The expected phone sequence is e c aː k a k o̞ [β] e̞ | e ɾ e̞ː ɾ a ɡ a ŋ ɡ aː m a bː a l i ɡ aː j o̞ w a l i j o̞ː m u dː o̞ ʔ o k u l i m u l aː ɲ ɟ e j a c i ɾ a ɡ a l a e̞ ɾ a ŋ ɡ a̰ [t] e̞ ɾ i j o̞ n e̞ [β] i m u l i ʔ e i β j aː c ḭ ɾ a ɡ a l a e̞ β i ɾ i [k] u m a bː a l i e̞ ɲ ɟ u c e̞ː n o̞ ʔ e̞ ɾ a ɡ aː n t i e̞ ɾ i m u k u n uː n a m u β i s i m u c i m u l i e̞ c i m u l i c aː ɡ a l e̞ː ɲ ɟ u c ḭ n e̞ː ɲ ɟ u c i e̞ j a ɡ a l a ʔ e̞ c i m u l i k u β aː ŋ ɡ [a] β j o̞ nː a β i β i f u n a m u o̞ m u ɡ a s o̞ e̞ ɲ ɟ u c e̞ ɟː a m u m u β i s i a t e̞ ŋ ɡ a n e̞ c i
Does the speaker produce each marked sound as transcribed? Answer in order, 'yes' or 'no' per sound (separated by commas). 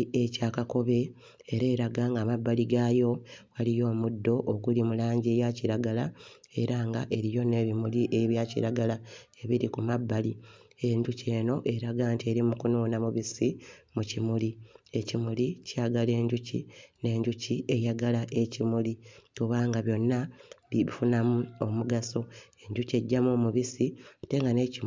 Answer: yes, no, yes, yes, yes